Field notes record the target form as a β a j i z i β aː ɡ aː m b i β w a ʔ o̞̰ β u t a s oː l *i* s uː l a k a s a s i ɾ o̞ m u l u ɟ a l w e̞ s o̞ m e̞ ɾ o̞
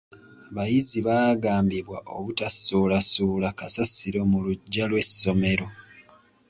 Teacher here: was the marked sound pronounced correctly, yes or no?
no